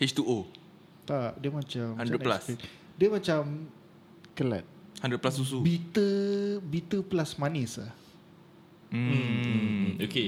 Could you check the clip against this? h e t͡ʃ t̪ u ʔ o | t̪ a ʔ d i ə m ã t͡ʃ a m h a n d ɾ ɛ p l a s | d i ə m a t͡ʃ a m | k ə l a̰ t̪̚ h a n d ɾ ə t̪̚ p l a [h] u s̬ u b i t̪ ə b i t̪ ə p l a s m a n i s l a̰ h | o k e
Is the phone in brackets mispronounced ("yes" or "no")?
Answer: yes